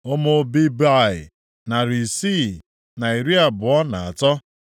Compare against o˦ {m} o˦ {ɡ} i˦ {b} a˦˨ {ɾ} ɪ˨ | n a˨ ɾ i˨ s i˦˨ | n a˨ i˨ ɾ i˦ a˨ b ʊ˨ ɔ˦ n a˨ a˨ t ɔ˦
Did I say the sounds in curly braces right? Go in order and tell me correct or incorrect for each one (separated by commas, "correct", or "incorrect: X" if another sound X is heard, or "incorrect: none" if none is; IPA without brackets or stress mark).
correct, incorrect: b, correct, incorrect: none